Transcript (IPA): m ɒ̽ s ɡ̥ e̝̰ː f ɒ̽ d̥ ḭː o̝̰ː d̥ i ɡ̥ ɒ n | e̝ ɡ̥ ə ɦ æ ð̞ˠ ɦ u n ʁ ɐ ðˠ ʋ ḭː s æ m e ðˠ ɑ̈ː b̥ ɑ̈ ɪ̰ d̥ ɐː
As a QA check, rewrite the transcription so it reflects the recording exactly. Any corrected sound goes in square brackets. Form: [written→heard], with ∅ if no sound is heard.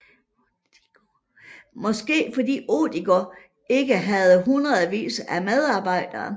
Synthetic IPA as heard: m ɒ̽ s ɡ̥ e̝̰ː f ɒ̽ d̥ ḭː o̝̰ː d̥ i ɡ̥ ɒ [n→∅] | e̝ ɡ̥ ə ɦ æ ð̞ˠ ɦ u n ʁ ɐ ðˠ ʋ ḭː s æ m e ðˠ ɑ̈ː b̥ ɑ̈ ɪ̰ d̥ ɐː

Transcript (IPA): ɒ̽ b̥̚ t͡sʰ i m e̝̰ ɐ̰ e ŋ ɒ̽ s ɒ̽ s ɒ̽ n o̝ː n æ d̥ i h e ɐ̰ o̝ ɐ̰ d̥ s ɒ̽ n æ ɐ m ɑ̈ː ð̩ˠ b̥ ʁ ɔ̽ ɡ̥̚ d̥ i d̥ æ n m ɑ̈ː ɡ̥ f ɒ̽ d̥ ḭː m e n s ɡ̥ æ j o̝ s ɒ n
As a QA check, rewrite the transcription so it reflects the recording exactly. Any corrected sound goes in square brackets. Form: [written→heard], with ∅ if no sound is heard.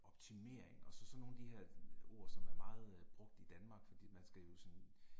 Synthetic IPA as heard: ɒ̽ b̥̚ t͡sʰ i m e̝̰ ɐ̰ e ŋ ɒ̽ s ɒ̽ s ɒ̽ n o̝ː n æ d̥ i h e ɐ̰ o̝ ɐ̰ [d̥→∅] s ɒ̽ [n→m] æ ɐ m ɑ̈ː ð̩ˠ b̥ ʁ ɔ̽ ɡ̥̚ d̥ i d̥ æ n m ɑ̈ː ɡ̥ f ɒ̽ d̥ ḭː m [e→æ] n s ɡ̥ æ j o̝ s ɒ n

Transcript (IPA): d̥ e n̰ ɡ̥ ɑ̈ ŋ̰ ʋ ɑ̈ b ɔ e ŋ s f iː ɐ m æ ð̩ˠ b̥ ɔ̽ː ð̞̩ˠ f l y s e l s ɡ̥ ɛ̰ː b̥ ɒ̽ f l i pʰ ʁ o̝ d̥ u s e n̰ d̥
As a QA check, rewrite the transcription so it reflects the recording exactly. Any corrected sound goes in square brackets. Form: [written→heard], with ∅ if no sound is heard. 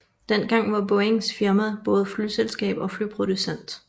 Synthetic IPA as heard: d̥ e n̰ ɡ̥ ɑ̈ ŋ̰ ʋ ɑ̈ b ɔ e ŋ s f [iː→i] ɐ m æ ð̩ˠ b̥ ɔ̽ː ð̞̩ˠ f l y s e l s ɡ̥ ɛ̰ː b̥ ɒ̽ f l [i→y] pʰ ʁ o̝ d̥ u s e n̰ d̥

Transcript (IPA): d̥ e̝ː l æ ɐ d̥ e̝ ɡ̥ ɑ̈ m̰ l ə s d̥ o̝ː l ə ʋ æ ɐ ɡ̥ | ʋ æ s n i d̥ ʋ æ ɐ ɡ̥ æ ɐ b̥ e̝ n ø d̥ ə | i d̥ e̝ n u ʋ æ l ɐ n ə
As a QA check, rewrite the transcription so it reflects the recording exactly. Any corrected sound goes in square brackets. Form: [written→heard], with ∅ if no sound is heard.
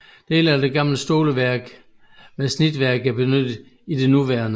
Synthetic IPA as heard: d̥ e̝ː l æ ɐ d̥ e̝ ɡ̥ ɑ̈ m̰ l ə s d̥ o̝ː l ə ʋ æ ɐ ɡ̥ | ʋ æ s n i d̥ ʋ æ ɐ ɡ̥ æ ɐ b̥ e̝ n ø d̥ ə | i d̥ e̝ n u ʋ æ [l→∅] ɐ n ə

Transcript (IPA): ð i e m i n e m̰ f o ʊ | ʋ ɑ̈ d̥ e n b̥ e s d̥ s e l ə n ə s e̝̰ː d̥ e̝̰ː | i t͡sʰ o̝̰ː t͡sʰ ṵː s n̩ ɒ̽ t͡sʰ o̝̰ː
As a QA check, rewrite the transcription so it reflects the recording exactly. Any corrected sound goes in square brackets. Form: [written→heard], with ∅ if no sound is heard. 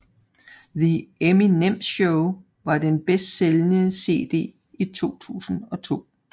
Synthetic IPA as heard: ð i e m i n e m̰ [f→ɕ] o ʊ | ʋ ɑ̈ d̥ e n b̥ e s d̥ s e l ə n ə s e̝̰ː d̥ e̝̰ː | i t͡sʰ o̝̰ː t͡sʰ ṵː s n̩ ɒ̽ t͡sʰ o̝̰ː

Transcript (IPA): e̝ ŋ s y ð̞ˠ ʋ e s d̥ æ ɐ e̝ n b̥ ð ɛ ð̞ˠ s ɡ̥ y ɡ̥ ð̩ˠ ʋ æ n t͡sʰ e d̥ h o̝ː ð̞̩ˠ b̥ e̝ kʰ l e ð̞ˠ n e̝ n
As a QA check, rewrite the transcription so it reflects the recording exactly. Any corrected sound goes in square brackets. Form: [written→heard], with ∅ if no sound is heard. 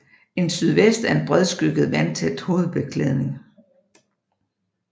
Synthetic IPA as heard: e̝ [ŋ→n] s y ð̞ˠ ʋ e s d̥ æ ɐ e̝ n b̥ [ð→ʁ] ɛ ð̞ˠ s ɡ̥ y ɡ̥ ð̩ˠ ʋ æ n t͡sʰ e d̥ h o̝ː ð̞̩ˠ b̥ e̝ kʰ l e ð̞ˠ n e̝ [n→ŋ]

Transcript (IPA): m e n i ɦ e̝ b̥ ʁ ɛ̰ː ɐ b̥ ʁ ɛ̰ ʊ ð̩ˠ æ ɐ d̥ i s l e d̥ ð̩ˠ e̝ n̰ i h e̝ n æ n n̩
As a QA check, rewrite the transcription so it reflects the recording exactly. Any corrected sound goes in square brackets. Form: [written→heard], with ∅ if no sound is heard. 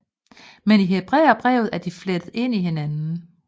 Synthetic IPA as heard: m e n i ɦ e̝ b̥ ʁ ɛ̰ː ɐ b̥ ʁ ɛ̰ ʊ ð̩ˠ æ ɐ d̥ i [s→f] l e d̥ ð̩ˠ e̝ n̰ i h e̝ n æ n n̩

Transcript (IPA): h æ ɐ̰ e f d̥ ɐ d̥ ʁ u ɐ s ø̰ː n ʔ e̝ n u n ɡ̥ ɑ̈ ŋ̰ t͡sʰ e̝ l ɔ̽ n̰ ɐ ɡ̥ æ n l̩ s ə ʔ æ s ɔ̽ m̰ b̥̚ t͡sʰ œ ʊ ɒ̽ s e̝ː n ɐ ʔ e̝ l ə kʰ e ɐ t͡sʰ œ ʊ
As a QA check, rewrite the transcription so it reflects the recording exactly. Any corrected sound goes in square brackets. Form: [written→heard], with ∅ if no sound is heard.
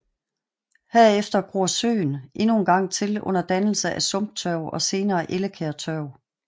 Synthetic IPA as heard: h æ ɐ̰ e f d̥ ɐ [d̥→ɡ̥] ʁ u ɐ s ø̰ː n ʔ e̝ n u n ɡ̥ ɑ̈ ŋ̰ t͡sʰ e̝ l ɔ̽ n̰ ɐ [ɡ̥→d̥] æ n l̩ s ə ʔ æ s ɔ̽ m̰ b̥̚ t͡sʰ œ ʊ ɒ̽ s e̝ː n [ɐ→ɐː] ʔ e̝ l ə kʰ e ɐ t͡sʰ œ ʊ

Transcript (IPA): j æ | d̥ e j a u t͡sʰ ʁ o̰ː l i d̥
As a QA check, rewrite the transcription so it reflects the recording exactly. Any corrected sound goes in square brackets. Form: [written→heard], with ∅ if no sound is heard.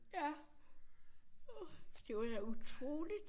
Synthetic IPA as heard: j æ | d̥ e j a u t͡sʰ ʁ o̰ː l i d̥

